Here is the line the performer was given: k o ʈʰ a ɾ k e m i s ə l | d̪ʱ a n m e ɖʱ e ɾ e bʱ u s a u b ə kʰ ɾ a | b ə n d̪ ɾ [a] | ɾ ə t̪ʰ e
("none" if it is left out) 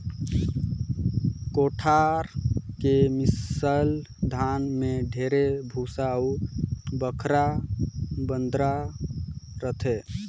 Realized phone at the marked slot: a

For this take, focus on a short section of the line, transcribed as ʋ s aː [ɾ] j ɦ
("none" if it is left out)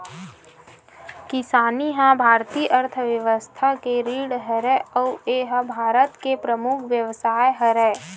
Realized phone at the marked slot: none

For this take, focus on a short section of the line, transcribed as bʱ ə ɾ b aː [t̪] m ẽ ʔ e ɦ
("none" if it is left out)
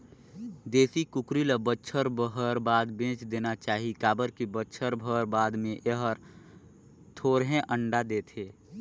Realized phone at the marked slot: d̪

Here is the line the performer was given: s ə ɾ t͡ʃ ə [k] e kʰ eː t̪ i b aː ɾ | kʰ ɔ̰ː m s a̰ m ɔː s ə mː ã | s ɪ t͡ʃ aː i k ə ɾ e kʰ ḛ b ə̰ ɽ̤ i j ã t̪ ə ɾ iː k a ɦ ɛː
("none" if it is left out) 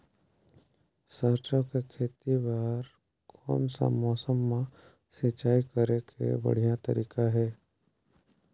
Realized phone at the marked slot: k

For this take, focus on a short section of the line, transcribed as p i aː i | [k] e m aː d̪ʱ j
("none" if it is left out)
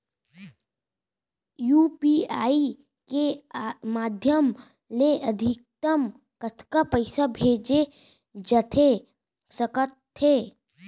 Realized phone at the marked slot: k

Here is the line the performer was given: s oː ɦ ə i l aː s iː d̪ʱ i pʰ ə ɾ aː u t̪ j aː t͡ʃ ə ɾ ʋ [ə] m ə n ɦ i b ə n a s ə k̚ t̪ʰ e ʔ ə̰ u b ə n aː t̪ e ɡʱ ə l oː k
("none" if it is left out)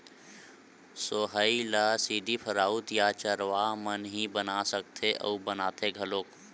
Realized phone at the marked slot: a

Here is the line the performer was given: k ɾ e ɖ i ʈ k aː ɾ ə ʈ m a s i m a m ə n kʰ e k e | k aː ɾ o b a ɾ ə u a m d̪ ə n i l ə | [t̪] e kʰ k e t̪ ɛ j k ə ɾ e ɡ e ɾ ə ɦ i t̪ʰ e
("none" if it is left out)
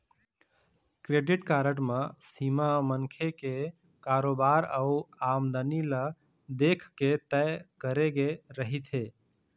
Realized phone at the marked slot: d̪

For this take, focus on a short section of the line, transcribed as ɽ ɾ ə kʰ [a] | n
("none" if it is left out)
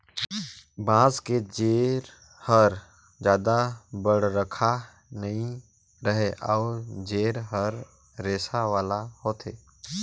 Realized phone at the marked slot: a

